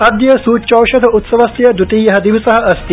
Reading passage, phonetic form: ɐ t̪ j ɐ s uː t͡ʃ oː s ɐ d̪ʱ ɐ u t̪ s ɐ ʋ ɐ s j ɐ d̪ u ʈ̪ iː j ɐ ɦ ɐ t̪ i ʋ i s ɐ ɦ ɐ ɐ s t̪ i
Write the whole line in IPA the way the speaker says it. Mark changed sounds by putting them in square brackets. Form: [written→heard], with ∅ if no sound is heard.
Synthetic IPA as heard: ɐ [t̪→d̪] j ɐ s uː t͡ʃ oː [s→ʃ] ɐ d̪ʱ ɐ u t̪ s ɐ ʋ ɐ s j ɐ d̪ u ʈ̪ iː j ɐ ɦ ɐ [t̪→d̪] i ʋ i s ɐ ɦ ɐ ɐ s t̪ i